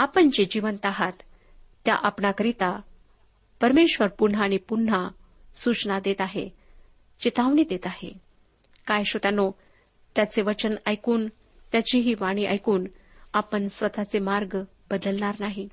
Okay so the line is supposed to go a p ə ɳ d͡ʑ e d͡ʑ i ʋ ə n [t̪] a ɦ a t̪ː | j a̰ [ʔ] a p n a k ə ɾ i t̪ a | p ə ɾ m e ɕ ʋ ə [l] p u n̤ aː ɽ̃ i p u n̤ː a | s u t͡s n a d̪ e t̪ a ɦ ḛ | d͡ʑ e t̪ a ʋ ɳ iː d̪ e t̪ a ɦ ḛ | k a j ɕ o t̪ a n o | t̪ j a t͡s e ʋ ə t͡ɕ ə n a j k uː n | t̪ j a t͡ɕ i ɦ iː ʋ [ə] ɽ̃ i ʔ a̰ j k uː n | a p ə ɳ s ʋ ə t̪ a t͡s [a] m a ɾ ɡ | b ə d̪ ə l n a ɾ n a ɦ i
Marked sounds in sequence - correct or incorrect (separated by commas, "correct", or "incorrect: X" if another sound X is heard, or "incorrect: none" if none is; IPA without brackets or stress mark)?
correct, correct, incorrect: ɾ, incorrect: a, incorrect: e